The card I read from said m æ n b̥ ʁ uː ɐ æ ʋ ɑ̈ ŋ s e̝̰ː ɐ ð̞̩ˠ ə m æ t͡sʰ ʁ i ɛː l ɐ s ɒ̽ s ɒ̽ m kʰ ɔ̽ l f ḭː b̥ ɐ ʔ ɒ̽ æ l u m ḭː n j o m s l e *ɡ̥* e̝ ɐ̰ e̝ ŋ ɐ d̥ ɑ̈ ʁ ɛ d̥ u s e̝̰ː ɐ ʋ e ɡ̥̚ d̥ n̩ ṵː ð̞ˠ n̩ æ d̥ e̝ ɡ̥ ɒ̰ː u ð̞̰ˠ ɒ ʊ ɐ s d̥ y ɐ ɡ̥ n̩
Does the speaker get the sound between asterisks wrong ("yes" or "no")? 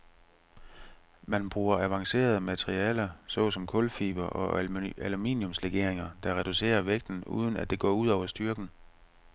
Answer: no